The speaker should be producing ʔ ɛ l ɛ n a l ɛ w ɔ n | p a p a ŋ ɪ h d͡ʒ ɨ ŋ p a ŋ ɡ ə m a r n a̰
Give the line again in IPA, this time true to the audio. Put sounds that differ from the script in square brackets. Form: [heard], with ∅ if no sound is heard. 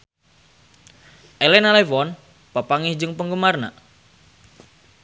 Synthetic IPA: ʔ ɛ l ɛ n a l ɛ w ɔ n | p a p a ŋ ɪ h d͡ʒ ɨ ŋ p [ə] ŋ ɡ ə m a r n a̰